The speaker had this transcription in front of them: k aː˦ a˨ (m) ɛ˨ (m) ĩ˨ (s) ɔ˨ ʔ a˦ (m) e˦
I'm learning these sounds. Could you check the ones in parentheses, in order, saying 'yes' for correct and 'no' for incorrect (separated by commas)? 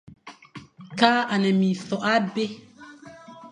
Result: no, yes, no, no